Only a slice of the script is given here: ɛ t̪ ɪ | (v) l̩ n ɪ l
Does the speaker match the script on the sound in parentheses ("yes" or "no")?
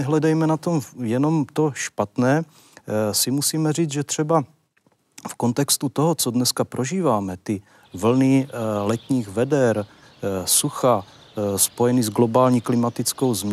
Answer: yes